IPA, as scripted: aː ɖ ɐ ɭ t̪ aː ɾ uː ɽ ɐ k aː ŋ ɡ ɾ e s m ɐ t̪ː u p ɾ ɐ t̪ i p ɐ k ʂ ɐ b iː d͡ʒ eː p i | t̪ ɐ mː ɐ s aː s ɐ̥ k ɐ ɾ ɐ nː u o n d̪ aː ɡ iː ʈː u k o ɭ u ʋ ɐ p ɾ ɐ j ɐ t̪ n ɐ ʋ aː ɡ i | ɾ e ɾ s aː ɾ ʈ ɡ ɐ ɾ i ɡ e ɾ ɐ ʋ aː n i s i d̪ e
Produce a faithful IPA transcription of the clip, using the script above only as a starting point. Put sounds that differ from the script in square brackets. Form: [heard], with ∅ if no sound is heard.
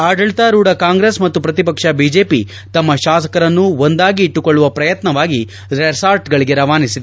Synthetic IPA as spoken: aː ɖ ɐ ɭ t̪ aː ɾ uː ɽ ɐ k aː ŋ ɡ ɾ e s m ɐ t̪ː u p ɾ ɐ t̪ i p ɐ k ʂ ɐ b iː d͡ʒ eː p i | t̪ ɐ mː ɐ [ʃ] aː s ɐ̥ k ɐ ɾ ɐ nː u o n d̪ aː ɡ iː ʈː u k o [ɭː] u ʋ ɐ p ɾ ɐ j ɐ t̪ n ɐ ʋ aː ɡ i | ɾ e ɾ s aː ɾ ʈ ɡ ɐ [ɭ] i ɡ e ɾ ɐ ʋ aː n i s i d̪ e